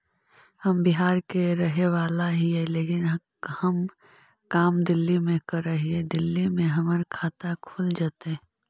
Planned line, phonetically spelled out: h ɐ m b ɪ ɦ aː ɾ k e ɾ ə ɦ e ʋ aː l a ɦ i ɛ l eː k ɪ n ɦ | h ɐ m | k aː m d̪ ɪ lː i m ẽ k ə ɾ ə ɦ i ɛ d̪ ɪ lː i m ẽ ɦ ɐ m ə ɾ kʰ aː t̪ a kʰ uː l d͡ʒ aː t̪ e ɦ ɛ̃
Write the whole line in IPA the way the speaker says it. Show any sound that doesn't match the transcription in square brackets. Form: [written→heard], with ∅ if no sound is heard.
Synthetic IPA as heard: h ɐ m b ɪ ɦ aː ɾ k e ɾ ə ɦ e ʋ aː l a ɦ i ɛ l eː k ɪ n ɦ | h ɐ m | k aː m d̪ ɪ lː i m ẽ k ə ɾ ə ɦ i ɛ d̪ ɪ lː i m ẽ ɦ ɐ m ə ɾ kʰ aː t̪ a kʰ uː l d͡ʒ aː t̪ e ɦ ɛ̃